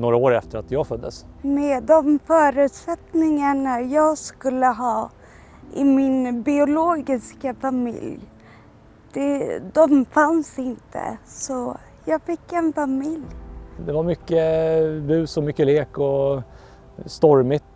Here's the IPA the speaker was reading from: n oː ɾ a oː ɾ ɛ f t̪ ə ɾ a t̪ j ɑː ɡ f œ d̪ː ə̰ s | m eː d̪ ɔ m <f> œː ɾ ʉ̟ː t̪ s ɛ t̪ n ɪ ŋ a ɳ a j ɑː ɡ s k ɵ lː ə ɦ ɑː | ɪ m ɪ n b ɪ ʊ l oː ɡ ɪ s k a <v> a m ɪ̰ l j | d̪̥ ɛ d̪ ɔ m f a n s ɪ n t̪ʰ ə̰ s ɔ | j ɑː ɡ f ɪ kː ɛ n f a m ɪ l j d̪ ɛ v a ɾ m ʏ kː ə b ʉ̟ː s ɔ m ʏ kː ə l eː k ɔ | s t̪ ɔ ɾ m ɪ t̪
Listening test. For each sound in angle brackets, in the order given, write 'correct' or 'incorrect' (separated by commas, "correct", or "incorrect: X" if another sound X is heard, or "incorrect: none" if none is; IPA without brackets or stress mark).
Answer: correct, incorrect: f